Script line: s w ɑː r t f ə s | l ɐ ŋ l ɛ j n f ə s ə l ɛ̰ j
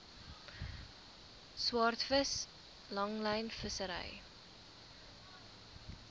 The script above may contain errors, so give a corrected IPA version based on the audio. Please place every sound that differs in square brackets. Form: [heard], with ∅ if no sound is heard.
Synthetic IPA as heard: s w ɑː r t f ə s | l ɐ ŋ l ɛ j n f ə s ə [ɾ] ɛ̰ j